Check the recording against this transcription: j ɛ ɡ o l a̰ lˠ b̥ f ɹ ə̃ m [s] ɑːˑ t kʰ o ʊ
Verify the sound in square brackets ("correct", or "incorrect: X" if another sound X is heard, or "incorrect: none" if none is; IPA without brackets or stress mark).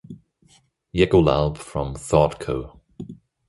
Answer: incorrect: θ